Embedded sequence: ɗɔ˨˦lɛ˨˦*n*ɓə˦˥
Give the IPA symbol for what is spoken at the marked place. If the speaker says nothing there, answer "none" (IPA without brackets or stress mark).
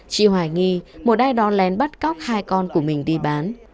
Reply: n